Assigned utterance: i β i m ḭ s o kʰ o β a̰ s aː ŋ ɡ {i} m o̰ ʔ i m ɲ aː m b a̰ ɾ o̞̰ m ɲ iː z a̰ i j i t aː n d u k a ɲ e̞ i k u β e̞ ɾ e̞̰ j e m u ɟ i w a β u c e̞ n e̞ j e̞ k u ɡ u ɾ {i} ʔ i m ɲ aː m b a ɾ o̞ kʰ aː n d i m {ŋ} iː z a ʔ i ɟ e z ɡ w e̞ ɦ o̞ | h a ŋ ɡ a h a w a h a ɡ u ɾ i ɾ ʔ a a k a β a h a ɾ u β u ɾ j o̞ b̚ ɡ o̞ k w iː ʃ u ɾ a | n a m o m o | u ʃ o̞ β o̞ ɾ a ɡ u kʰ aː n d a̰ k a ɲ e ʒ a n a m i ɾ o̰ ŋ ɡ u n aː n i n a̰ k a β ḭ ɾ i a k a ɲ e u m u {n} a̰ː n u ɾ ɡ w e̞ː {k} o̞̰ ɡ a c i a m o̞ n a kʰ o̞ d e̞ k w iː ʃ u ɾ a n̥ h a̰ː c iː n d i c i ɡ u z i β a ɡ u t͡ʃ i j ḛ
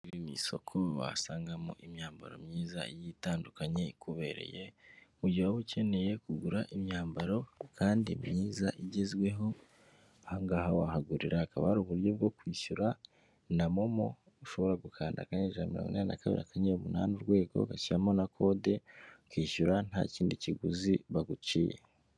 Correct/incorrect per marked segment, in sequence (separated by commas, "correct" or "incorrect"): incorrect, incorrect, incorrect, correct, incorrect